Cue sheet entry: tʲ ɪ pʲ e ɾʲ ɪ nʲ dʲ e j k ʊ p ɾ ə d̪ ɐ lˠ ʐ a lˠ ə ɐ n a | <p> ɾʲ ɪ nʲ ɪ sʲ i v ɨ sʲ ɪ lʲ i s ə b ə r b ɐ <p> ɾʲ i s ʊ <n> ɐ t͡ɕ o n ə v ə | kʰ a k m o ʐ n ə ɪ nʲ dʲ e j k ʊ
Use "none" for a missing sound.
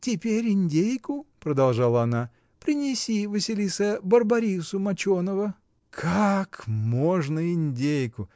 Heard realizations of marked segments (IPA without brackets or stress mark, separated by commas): p, none, m